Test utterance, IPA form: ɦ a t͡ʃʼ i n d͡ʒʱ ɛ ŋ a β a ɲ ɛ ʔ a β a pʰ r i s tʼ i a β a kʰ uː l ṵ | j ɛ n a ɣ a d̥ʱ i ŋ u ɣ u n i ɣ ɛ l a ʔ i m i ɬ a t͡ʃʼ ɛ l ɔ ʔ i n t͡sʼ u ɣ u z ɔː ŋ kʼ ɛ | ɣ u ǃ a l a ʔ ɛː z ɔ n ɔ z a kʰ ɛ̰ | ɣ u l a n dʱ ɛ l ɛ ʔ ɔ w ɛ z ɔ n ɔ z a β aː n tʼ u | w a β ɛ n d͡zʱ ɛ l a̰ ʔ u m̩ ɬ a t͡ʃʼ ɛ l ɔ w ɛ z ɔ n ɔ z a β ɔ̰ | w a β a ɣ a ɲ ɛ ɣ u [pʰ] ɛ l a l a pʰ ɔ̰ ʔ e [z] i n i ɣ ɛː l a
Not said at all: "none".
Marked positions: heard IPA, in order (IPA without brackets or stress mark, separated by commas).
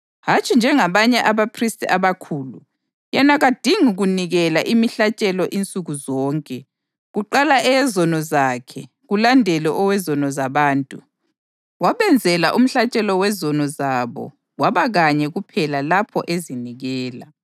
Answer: pʰ, z